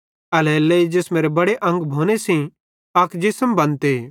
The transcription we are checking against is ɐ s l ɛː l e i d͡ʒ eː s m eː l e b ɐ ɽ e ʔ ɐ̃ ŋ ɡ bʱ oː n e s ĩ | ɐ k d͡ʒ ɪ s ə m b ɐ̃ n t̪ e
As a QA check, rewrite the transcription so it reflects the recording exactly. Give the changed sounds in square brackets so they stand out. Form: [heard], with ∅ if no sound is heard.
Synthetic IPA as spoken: ɐ [∅] l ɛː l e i d͡ʒ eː s m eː [ɾ] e b ɐ ɽ e ʔ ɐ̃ ŋ ɡ bʱ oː n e s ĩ | ɐ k d͡ʒ ɪ s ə m b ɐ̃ n t̪ e